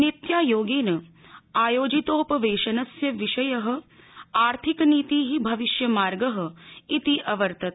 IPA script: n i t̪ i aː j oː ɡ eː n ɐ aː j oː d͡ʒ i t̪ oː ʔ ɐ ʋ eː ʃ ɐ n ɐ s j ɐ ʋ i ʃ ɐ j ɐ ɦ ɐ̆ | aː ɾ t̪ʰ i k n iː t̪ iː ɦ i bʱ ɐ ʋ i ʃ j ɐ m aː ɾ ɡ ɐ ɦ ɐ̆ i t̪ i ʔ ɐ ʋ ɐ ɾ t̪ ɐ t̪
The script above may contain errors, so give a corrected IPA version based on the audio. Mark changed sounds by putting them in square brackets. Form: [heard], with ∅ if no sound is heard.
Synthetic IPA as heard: n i t̪ [j] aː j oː ɡ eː n ɐ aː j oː d͡ʒ i t̪ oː [p] ɐ ʋ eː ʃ ɐ n ɐ s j ɐ ʋ i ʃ ɐ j ɐ ɦ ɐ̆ | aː ɾ t̪ʰ i k n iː t̪ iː ɦ i bʱ ɐ ʋ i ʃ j ɐ m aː ɾ ɡ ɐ ɦ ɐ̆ i t̪ i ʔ ɐ ʋ ɐ ɾ t̪ ɐ t̪

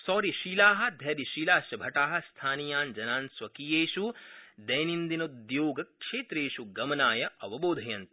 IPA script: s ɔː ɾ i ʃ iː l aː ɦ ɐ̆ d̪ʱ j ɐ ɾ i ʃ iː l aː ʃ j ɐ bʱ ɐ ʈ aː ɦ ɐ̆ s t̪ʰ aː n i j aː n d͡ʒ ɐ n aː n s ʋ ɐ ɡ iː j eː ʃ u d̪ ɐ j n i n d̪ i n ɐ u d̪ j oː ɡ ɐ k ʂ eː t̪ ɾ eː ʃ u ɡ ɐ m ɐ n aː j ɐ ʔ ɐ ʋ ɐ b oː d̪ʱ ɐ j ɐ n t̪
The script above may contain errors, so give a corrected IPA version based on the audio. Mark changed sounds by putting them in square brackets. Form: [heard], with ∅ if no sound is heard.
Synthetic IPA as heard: s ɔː ɾ i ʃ iː l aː ɦ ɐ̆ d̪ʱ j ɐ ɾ i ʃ iː l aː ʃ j ɐ bʱ ɐ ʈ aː ɦ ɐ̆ s t̪ʰ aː n i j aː n d͡ʒ ɐ n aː n s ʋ ɐ [k] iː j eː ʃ u d̪ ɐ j n i n d̪ i n ɐ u d̪ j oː ɡ ɐ k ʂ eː t̪ ɾ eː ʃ u ɡ ɐ m ɐ n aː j ɐ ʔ ɐ ʋ ɐ b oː d̪ʱ ɐ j ɐ n t̪

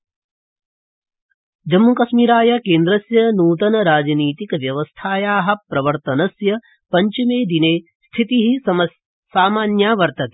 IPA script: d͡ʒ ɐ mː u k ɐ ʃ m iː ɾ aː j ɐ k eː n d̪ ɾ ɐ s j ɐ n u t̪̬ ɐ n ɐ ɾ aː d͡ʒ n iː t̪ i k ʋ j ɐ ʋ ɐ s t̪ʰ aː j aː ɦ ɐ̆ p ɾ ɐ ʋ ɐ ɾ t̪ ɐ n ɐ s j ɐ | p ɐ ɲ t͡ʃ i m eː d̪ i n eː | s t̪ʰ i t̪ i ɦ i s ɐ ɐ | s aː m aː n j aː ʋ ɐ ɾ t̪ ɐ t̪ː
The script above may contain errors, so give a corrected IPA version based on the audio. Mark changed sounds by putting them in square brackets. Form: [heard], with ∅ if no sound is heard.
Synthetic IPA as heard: d͡ʒ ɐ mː u k ɐ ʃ m iː ɾ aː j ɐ k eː n d̪ ɾ ɐ s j ɐ n [uː] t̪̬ ɐ n ɐ ɾ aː d͡ʒ n iː t̪ i k ʋ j ɐ ʋ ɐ s t̪ʰ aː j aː ɦ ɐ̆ p ɾ ɐ ʋ ɐ ɾ t̪ ɐ n ɐ s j ɐ | p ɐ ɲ t͡ʃ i m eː d̪ i n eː | s t̪ʰ i t̪ i ɦ i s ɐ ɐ | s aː m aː n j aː ʋ ɐ ɾ t̪ ɐ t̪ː

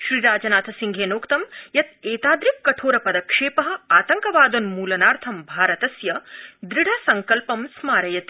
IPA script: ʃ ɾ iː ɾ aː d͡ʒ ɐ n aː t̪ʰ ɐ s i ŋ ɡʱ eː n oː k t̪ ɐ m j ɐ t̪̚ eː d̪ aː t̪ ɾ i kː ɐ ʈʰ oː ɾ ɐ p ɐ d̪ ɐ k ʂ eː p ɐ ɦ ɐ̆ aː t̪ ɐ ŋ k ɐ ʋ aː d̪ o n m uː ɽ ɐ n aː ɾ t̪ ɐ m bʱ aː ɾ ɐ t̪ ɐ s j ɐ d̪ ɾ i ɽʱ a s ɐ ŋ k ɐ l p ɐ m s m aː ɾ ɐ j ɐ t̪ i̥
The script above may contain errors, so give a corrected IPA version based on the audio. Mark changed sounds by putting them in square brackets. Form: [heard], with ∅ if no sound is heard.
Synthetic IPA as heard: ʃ ɾ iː ɾ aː d͡ʒ ɐ n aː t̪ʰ ɐ s i ŋ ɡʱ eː n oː k t̪ ɐ m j ɐ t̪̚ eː [t̪] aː [d̪] ɾ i kː ɐ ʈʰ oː ɾ ɐ p ɐ d̪ ɐ k ʂ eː p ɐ ɦ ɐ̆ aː t̪ ɐ ŋ k ɐ ʋ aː d̪ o n m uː [l] ɐ n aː ɾ [t̪ʰ] ɐ m bʱ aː ɾ ɐ t̪ ɐ s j ɐ d̪ ɾ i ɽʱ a s ɐ ŋ k ɐ l p ɐ m s m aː ɾ ɐ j ɐ t̪ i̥

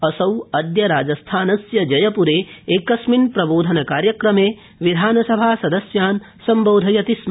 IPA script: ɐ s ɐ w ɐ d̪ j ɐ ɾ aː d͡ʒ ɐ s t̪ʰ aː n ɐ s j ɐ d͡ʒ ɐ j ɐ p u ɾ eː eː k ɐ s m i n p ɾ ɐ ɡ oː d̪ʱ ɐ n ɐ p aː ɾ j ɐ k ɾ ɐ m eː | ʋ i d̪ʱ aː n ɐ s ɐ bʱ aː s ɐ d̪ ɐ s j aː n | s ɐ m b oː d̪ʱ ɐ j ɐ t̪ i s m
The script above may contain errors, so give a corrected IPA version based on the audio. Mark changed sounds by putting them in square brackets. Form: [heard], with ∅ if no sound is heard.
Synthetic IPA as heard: ɐ s ɐ w ɐ d̪ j ɐ ɾ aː d͡ʒ ɐ s t̪ʰ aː n ɐ s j ɐ d͡ʒ ɐ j ɐ p u ɾ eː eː k ɐ s m i n p ɾ ɐ [b] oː d̪ʱ ɐ n ɐ [k] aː ɾ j ɐ k ɾ ɐ m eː | ʋ i d̪ʱ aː n ɐ s ɐ bʱ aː s ɐ d̪ ɐ s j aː n | s ɐ m b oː d̪ʱ ɐ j ɐ t̪ i s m

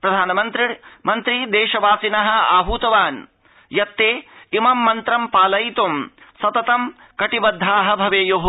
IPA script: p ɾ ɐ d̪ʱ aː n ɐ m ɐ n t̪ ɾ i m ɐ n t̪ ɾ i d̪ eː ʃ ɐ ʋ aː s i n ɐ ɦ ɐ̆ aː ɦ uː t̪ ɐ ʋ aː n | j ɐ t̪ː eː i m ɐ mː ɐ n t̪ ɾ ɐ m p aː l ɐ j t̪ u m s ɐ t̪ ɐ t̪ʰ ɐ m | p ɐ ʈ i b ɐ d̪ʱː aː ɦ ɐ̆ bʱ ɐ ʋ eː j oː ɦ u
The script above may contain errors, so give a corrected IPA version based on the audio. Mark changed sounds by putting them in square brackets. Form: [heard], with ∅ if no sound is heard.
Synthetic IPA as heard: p ɾ ɐ d̪ʱ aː n ɐ m ɐ n t̪ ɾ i m ɐ n t̪ ɾ i d̪ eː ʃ ɐ ʋ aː s i n ɐ ɦ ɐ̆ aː ɦ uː t̪ ɐ ʋ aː n | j ɐ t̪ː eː i m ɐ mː ɐ n t̪ ɾ ɐ m p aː l ɐ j t̪ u m s ɐ t̪ ɐ [t̪] ɐ m | [k] ɐ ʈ i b ɐ d̪ʱː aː ɦ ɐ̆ bʱ ɐ ʋ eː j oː ɦ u

